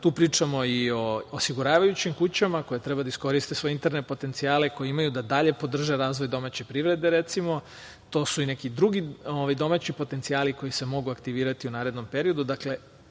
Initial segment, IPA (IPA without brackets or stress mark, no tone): t̪